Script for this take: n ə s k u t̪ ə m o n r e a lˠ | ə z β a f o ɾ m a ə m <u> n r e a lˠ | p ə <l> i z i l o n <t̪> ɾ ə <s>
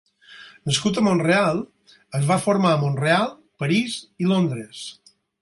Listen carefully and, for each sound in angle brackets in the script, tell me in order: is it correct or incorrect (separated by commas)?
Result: incorrect, incorrect, incorrect, correct